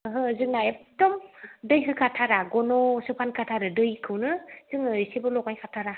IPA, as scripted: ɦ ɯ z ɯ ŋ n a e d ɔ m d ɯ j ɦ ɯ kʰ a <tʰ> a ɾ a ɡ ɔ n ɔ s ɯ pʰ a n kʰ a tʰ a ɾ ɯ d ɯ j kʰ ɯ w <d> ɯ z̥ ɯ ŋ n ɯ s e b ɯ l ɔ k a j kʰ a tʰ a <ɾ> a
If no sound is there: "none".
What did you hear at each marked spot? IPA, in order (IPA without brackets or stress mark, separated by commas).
tʰ, n, ɾ